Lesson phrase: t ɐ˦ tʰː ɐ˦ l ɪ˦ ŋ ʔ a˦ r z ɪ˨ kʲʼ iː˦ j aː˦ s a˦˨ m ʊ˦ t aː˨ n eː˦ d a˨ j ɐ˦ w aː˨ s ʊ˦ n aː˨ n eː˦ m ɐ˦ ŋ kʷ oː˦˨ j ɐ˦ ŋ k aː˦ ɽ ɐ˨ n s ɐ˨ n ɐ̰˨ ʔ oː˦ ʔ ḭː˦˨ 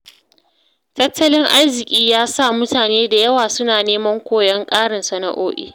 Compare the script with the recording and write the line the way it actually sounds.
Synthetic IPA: t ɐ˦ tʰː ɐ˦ l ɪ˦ ŋ ʔ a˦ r z ɪ˨ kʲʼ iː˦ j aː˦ s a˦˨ m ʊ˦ t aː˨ n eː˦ d a˨ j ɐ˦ w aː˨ s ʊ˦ n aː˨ n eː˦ m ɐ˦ ŋ kʷ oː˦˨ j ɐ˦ ŋ kʼ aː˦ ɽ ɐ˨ n s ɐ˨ n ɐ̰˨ ʔ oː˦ ʔ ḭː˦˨